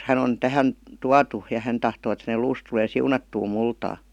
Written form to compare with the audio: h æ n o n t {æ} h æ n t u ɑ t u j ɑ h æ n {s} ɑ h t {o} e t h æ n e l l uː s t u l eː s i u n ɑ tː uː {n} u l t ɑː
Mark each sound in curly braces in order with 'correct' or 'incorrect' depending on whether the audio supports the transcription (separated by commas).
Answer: correct, incorrect, incorrect, incorrect